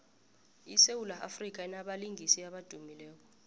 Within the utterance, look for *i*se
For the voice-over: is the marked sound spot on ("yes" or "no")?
yes